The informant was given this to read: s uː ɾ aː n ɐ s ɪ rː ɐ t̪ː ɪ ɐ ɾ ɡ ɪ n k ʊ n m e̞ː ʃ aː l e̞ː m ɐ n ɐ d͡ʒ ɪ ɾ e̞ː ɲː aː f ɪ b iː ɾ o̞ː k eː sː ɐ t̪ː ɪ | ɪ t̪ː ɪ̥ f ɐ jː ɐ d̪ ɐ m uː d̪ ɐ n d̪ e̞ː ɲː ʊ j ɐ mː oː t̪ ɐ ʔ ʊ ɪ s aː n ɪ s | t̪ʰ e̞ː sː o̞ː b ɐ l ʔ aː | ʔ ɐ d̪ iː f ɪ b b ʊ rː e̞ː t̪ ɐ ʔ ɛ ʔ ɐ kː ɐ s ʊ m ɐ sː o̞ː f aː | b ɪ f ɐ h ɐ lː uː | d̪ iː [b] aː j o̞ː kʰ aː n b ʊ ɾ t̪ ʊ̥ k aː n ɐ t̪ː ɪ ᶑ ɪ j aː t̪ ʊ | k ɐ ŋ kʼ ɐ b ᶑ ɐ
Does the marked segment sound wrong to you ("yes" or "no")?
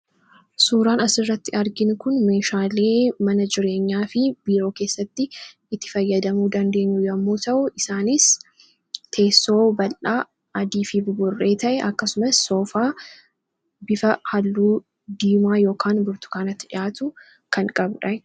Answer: yes